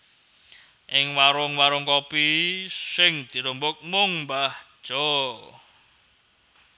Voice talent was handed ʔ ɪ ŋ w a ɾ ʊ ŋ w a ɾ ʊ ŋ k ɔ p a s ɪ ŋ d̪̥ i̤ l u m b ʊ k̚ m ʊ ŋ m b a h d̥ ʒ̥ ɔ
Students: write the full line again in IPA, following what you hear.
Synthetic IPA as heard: ʔ ɪ ŋ w a ɾ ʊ ŋ w a ɾ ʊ ŋ k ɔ p i s ɪ ŋ d̪̥ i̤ ɾ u m b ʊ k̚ m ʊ ŋ m b a h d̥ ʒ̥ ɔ